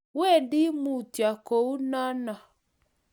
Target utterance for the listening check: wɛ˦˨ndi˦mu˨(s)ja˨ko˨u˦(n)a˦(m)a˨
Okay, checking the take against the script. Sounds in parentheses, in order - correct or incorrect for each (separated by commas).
incorrect, correct, incorrect